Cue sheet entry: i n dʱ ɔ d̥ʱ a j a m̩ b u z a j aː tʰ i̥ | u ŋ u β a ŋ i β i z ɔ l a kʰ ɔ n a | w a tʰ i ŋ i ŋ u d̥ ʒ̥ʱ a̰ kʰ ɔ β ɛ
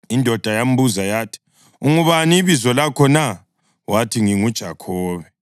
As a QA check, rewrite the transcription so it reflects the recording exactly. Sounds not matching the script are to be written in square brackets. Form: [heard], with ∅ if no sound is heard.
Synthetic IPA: i n dʱ ɔ d̥ʱ a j a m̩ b u z a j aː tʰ i̥ | u ŋ u β a [n] i β i z ɔ l a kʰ ɔ n a | w a tʰ i ŋ i ŋ u d̥ ʒ̥ʱ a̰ kʰ [ɔː] β ɛ